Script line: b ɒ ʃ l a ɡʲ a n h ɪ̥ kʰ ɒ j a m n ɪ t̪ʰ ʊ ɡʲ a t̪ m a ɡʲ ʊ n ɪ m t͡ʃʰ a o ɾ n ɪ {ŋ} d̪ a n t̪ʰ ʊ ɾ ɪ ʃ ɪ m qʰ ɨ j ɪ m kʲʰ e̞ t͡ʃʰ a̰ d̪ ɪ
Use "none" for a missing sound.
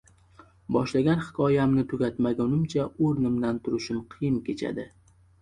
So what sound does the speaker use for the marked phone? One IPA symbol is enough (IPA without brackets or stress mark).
m